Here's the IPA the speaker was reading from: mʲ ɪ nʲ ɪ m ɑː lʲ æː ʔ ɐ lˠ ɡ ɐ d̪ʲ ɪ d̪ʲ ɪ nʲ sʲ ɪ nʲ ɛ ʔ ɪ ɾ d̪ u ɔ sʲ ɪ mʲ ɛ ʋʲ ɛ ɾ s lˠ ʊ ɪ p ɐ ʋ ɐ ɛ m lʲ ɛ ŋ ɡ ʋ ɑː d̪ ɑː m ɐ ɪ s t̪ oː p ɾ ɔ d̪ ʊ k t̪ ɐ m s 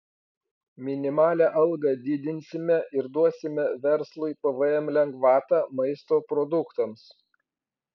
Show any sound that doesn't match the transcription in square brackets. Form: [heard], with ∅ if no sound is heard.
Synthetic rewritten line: mʲ ɪ nʲ ɪ m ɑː lʲ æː ʔ ɐ lˠ ɡ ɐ d̪ʲ ɪ d̪ʲ ɪ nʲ sʲ ɪ [mʲ] ɛ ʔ ɪ ɾ d̪ u ɔ sʲ ɪ mʲ ɛ ʋʲ ɛ ɾ s lˠ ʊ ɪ p ɐ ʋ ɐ ɛ m lʲ ɛ ŋ ɡ ʋ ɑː [t̪] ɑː m ɐ ɪ s t̪ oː p ɾ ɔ d̪ ʊ k t̪ ɐ m s